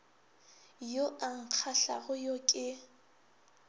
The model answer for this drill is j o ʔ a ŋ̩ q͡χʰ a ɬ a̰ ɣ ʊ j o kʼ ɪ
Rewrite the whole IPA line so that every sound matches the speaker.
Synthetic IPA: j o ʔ a ŋ̩ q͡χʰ a ɬ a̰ ɣ ʊ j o kʼ ɪ

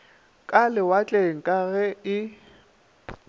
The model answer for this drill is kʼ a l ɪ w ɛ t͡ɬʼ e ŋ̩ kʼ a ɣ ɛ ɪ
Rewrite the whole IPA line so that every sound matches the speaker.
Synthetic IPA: kʼ a l ɪ w a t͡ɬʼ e ŋ̩ kʼ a ɣ ɛ ɪ

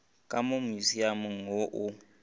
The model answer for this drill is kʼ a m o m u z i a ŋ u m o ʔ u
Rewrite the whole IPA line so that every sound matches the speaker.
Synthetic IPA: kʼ a m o m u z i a m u ŋ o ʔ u

